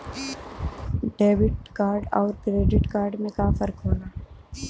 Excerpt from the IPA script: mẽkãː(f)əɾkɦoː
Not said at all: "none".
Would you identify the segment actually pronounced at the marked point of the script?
f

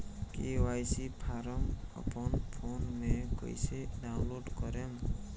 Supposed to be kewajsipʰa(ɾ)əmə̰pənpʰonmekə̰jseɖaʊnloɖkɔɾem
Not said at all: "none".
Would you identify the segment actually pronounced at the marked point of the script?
ɾ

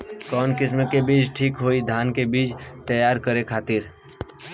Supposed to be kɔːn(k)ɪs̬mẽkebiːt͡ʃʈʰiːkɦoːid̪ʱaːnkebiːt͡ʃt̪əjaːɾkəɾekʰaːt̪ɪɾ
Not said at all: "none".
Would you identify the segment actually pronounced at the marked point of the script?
k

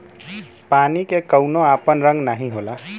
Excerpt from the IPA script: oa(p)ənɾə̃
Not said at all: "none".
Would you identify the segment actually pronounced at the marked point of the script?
p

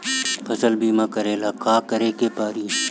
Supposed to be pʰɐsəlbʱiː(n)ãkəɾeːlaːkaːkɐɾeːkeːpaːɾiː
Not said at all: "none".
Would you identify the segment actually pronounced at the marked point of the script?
m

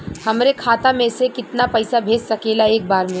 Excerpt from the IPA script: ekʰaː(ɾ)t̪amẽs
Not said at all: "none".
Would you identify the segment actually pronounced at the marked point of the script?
none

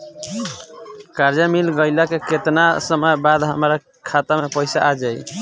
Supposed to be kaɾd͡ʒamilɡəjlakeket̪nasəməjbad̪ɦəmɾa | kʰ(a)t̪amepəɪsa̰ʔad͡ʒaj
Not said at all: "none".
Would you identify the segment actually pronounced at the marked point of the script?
a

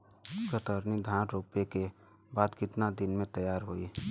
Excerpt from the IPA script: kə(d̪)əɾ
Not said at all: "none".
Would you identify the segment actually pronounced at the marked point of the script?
t̪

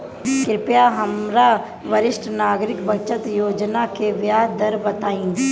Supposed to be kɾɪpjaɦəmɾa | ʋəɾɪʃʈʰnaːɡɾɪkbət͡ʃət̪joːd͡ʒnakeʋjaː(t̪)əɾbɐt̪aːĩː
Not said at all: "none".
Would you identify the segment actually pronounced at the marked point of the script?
d̪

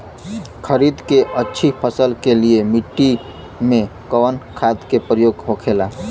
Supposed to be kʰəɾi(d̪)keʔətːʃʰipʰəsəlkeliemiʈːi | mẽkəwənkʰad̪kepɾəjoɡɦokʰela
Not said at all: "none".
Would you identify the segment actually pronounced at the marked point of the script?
d̪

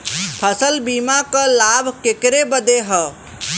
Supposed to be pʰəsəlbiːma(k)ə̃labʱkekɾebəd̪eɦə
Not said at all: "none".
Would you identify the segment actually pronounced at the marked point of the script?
k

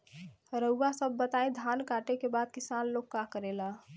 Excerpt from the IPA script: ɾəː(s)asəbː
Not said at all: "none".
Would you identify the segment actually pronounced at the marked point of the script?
none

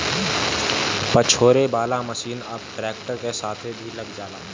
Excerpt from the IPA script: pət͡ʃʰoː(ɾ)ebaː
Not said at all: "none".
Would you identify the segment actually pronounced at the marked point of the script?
ɾ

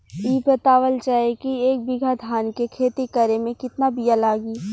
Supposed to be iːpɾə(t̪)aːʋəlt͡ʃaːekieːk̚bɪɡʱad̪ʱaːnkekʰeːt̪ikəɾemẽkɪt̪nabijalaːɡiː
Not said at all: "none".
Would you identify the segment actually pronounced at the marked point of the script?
t̪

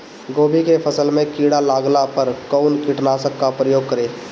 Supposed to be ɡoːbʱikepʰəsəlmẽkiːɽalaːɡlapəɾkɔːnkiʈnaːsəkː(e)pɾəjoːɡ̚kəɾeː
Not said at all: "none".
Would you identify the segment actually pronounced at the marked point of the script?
a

